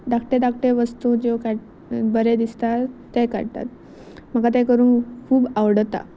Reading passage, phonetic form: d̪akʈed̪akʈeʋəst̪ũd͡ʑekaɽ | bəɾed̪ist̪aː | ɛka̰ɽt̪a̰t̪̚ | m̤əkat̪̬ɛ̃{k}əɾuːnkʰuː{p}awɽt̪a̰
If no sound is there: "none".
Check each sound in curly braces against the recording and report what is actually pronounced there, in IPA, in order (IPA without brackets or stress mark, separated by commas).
k, b